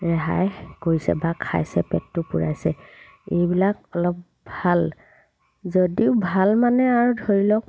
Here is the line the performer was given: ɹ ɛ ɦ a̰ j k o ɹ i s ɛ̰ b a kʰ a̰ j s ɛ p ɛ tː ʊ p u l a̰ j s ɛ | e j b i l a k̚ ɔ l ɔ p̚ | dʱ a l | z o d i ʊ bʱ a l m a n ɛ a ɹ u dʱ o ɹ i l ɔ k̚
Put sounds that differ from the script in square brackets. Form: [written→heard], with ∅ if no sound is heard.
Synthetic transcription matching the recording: ɹ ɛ ɦ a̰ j k o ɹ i s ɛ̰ b a kʰ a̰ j s ɛ p ɛ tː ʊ p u [l→ɹ] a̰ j s ɛ | e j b i l a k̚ ɔ l ɔ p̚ | [dʱ→bʱ] a l | z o d i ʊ bʱ a l m a n ɛ a ɹ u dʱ o ɹ i l ɔ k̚